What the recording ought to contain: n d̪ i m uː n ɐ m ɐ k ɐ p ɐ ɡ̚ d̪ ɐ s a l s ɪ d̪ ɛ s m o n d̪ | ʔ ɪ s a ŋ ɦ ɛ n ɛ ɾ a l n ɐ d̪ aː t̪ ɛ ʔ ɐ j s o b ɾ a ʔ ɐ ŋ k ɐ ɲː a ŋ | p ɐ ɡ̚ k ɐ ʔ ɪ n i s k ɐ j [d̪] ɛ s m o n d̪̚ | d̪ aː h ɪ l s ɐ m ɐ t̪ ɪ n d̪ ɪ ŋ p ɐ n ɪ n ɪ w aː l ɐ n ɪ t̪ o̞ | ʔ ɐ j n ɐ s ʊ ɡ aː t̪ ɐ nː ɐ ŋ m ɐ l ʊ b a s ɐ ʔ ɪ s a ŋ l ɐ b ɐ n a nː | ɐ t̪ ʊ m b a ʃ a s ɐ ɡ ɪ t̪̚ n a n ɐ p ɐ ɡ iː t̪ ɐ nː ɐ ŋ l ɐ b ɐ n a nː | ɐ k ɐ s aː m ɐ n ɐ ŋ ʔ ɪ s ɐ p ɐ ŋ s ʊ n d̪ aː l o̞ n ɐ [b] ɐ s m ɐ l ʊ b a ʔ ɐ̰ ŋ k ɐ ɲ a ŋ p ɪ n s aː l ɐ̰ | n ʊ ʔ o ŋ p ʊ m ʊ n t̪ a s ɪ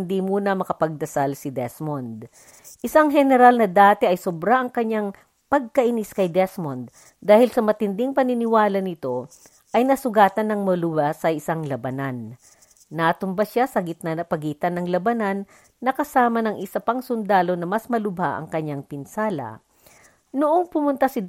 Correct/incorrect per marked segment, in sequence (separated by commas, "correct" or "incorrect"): correct, incorrect